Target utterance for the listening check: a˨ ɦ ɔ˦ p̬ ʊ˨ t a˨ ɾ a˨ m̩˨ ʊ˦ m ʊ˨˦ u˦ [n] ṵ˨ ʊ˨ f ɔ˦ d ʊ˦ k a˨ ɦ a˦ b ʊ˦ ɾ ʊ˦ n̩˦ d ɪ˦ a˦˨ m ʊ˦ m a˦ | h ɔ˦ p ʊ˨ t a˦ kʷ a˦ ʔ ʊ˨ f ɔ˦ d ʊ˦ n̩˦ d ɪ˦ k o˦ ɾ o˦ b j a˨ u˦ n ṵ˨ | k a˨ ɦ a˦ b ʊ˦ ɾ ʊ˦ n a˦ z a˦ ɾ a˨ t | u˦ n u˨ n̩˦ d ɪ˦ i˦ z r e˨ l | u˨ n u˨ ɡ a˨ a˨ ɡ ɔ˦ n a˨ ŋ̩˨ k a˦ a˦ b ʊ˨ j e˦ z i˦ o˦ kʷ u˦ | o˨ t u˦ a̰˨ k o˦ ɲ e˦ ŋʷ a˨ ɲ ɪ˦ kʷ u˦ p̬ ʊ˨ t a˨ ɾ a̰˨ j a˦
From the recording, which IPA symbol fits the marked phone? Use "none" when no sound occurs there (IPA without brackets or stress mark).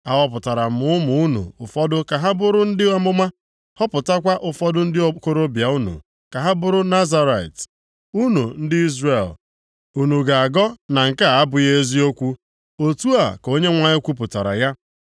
n